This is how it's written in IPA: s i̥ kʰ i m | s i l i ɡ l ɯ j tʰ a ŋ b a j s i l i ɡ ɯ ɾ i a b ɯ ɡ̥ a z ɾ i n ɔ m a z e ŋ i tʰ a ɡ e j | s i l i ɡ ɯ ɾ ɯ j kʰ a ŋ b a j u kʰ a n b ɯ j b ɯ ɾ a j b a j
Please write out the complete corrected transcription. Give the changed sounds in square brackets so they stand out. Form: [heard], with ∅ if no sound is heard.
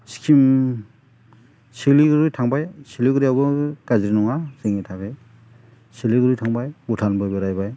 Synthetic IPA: s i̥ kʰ i m | s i l i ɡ [ɾ] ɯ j tʰ a ŋ b a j s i l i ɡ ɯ ɾ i a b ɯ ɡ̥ a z ɾ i n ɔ [ŋ] a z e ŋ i tʰ a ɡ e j | s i l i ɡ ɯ ɾ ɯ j [tʰ] a ŋ b a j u [tʰ] a n b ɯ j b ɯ ɾ a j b a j